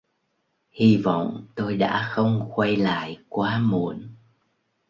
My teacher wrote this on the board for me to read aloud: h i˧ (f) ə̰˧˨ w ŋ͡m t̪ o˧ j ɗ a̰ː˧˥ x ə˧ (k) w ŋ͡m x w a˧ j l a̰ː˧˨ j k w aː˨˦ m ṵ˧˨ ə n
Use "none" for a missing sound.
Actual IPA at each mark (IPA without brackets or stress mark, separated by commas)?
v, none